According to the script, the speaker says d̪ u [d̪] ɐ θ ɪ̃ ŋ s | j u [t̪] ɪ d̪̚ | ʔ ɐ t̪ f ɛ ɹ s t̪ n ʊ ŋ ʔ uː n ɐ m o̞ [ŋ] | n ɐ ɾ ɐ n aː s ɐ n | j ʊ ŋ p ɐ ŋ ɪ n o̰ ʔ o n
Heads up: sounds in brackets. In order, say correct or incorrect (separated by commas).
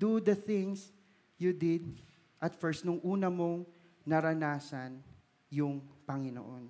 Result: correct, incorrect, correct